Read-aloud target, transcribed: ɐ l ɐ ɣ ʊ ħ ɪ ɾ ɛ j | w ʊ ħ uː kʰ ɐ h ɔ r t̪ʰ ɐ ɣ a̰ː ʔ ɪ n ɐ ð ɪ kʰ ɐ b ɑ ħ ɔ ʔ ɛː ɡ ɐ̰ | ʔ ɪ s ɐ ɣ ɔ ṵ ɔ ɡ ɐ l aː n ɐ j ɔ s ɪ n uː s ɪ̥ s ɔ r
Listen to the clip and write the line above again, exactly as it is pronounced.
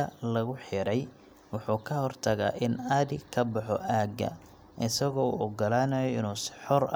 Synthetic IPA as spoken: ɐ l ɐ ɣ ʊ ħ ɪ ɾ ɛ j | w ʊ ħ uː kʰ ɐ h ɔ r t̪ʰ ɐ ɣ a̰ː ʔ ɪ n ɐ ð ɪ kʰ ɐ b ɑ ħ ɔ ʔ aː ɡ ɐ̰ | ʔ ɪ s ɐ ɣ ɔ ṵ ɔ ɡ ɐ l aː n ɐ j ɔ ɪ n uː s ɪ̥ ħ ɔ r